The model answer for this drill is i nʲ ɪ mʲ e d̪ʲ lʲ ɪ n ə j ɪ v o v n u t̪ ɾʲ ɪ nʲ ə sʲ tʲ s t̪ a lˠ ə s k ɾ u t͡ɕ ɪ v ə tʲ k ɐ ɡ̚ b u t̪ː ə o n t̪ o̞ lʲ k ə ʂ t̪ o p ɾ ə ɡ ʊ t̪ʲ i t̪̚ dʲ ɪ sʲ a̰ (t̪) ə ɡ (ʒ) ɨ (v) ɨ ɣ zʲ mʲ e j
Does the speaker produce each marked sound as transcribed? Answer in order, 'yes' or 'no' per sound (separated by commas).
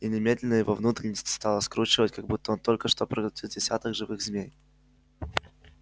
yes, no, yes